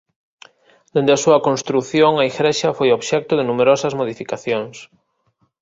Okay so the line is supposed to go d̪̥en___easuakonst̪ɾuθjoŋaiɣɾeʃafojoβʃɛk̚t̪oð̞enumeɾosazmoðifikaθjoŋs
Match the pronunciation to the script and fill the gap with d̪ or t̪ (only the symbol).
d̪